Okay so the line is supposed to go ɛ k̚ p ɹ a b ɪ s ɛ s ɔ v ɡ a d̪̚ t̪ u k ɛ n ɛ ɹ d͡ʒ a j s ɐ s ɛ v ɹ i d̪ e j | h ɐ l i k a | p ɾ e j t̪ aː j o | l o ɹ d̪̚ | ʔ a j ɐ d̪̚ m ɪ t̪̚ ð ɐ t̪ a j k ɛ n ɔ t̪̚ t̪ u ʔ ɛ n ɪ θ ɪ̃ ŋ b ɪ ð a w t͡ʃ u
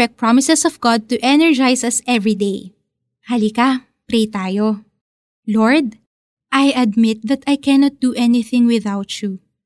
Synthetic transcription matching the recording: ɛ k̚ p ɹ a m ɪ s ɛ s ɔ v ɡ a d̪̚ t̪ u ʔ ɛ n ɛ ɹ d͡ʒ a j s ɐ s ɛ v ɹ i d̪ e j | h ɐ l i k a | p ɾ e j t̪ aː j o | l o ɹ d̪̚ | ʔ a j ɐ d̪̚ m ɪ t̪̚ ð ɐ t̪ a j k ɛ n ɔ t̪̚ d̪ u ʔ ɛ n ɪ θ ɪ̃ ŋ w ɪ ð a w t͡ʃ u